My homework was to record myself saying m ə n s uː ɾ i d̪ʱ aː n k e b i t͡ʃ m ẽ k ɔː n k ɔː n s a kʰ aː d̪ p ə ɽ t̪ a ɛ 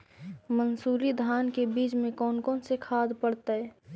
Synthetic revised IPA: m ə n s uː ɾ i d̪ʱ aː n k e b iː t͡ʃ m ẽ k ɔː n k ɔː n s e kʰ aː d̪ p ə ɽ t̪ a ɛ